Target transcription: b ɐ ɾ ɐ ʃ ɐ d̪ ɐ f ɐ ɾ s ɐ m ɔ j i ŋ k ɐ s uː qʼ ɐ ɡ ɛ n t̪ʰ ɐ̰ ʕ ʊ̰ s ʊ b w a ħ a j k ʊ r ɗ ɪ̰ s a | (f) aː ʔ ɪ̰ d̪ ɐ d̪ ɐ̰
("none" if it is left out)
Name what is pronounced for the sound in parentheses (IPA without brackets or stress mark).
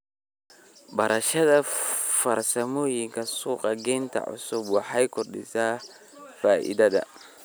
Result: f